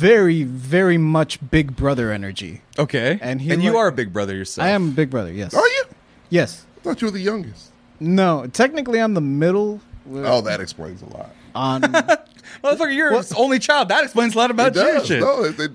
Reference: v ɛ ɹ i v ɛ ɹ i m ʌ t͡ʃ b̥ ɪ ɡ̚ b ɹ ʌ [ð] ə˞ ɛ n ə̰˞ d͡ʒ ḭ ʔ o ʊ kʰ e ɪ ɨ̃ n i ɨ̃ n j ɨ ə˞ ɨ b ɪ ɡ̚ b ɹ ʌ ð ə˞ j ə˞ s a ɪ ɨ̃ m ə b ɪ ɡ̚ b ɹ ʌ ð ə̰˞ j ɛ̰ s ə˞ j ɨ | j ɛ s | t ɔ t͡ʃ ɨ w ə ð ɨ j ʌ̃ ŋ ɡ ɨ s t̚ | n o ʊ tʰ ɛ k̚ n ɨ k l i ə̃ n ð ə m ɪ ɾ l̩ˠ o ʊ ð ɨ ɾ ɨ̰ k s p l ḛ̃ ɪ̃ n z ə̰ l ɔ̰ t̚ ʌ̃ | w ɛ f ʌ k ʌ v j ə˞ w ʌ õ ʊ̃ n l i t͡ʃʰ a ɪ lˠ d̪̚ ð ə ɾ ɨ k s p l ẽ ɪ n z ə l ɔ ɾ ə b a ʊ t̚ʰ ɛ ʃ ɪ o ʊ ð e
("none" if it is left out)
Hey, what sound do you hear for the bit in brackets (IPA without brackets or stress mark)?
ð